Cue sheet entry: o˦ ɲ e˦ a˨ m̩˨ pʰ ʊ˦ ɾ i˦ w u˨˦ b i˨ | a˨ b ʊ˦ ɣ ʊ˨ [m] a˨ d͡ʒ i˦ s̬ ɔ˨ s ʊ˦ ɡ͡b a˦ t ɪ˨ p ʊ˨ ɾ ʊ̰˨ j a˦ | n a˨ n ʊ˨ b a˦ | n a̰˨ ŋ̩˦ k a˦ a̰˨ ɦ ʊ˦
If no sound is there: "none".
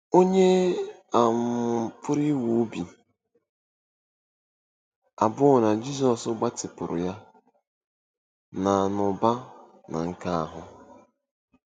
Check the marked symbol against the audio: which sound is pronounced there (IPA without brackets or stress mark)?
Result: n